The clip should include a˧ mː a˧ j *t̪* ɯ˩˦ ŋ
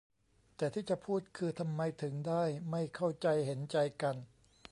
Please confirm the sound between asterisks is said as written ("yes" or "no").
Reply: no